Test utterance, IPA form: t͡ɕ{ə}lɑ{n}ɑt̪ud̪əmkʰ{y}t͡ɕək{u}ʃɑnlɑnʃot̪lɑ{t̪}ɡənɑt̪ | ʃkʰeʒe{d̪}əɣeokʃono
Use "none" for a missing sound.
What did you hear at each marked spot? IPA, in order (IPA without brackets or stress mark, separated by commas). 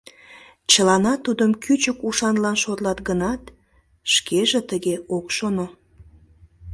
ə, n, y, u, t̪, t̪